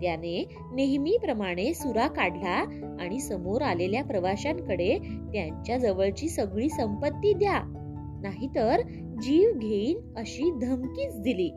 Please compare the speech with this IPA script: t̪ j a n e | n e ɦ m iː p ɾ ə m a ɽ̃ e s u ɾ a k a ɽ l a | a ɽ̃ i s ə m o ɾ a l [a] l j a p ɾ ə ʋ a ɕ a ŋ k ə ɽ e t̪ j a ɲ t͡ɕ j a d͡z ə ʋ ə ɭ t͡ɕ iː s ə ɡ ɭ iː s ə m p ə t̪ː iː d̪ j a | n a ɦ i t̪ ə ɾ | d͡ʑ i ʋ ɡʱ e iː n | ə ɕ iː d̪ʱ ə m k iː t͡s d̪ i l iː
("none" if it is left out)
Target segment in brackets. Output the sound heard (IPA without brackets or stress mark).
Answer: e